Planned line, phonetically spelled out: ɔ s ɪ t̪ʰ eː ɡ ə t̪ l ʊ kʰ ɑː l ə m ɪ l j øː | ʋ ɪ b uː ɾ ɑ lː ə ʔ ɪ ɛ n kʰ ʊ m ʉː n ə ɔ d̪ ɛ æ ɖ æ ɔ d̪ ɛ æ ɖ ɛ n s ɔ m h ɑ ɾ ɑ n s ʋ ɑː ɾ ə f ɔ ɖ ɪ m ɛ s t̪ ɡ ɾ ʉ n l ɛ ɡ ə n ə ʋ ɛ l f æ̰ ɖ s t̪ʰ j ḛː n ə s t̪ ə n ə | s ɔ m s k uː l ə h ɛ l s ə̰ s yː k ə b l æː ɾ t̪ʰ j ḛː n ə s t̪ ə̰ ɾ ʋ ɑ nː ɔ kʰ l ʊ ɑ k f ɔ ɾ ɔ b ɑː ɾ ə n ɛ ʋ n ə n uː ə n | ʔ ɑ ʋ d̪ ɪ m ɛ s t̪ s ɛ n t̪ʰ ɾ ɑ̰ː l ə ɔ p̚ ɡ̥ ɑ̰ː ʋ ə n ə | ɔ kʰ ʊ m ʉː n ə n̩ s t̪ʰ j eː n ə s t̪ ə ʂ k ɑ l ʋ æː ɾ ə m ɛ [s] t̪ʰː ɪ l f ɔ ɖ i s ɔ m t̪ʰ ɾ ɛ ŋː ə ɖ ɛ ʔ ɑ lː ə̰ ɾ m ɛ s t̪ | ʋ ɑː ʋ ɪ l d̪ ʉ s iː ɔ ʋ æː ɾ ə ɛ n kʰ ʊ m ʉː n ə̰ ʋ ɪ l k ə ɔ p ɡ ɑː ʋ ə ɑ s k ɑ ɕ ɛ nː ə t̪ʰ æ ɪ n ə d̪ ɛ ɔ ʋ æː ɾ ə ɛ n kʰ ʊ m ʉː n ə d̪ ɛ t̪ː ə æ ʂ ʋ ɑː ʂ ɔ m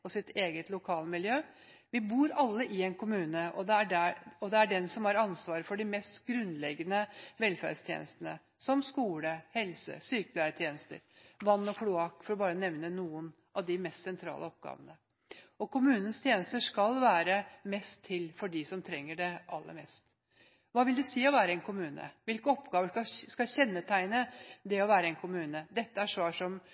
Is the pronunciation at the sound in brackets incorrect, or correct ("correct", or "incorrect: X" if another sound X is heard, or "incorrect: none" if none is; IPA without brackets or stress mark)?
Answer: correct